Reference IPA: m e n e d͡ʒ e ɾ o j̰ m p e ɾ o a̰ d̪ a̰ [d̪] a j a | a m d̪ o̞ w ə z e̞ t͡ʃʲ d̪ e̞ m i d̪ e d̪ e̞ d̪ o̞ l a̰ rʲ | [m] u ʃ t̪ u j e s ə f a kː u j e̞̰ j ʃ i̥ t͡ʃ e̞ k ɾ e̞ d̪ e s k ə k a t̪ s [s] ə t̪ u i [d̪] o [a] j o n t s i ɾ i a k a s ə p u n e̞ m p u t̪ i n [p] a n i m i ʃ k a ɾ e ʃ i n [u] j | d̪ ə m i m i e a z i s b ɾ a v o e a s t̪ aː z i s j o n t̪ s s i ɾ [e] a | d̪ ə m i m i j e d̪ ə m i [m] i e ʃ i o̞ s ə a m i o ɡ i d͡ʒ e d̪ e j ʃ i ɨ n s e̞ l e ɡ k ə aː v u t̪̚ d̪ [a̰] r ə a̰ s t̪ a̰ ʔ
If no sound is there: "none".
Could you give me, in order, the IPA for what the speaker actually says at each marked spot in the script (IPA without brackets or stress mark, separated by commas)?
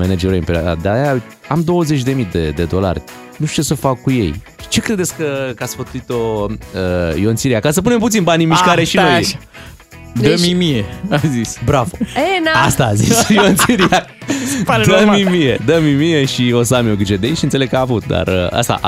d̪, n, f, t̪, ə, b, o, i, m, a̰